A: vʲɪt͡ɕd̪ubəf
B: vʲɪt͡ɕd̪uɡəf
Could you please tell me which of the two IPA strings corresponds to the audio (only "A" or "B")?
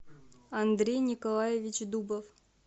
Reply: A